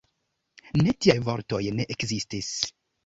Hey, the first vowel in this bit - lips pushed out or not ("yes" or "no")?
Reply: no